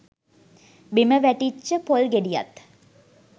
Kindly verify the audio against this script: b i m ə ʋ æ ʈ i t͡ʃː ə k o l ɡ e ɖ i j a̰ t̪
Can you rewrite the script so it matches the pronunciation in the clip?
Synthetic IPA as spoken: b i m ə ʋ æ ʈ i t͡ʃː ə p o l ɡ e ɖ i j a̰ t̪